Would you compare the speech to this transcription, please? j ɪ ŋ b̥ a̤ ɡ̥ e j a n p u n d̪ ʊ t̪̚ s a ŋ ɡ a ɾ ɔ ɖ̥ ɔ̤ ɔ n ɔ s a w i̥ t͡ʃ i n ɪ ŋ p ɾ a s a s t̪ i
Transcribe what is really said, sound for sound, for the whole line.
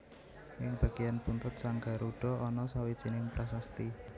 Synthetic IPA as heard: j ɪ ŋ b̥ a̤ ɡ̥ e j a n p u n t̪ ʊ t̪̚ s a ŋ ɡ a ɾ u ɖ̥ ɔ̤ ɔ n ɔ s a w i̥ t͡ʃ i n ɪ ŋ p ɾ a s a s t̪ i